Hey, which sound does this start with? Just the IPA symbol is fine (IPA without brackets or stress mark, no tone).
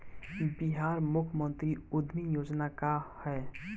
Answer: b